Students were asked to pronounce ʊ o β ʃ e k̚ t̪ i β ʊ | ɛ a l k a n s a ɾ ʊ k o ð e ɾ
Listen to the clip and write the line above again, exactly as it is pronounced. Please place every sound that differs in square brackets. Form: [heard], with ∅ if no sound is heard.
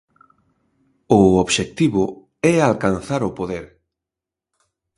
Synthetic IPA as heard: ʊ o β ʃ e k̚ t̪ i β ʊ | ɛ a l k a n [θ] a ɾ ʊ [p] o ð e ɾ

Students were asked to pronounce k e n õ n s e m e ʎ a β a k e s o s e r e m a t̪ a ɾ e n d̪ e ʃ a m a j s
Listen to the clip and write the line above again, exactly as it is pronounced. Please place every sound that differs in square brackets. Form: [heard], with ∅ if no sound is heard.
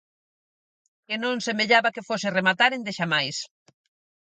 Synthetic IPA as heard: k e n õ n s e m e ʎ a β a k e [f] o s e r e m a t̪ a ɾ e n d̪ e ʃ a m a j s

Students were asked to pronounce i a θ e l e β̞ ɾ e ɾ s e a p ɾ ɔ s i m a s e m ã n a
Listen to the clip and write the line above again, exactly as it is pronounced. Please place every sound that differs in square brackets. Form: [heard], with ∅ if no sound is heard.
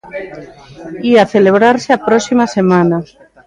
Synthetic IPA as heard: i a θ e l e β̞ ɾ [a] ɾ s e a p ɾ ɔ s i m a s e m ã n a

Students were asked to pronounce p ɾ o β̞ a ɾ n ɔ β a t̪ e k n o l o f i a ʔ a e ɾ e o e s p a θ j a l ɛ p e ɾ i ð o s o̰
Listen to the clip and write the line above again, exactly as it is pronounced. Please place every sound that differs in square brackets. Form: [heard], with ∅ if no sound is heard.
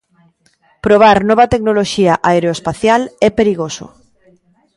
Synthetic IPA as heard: p ɾ o β̞ a ɾ n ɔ β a t̪ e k n o l o [ʃ] i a ʔ a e ɾ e o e s p a θ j a l ɛ p e ɾ i [ɣ] o s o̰

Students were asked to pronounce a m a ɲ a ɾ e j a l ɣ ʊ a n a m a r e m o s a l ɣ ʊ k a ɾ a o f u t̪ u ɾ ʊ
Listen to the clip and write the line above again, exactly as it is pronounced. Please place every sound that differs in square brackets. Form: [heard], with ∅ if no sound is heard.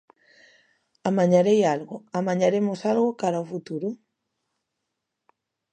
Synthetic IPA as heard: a m a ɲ a ɾ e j a l ɣ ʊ a [m] a [ɲ] a [ɾ] e m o s a l ɣ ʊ k a ɾ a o f u t̪ u ɾ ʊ

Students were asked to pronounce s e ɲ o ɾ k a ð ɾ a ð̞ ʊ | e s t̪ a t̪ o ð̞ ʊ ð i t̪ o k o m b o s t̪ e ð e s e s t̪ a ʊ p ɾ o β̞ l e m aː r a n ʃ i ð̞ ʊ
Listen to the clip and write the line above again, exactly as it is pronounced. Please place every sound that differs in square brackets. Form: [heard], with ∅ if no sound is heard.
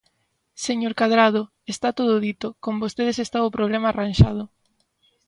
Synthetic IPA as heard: s e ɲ o ɾ k a ð ɾ a ð̞ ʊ | e s t̪ a t̪ o ð̞ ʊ ð i t̪ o k o m b o s t̪ e ð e s e s t̪ a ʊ p ɾ o β̞ l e m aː r a n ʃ [a] ð̞ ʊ

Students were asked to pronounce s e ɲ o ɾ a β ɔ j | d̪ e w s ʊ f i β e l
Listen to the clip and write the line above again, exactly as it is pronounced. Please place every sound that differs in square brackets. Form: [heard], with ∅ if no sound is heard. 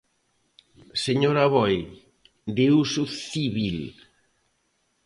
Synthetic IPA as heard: s e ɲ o ɾ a β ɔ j | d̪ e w s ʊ [θ] i β [i] l

